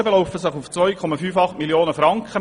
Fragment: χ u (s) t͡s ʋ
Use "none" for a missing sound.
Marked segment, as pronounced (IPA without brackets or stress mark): f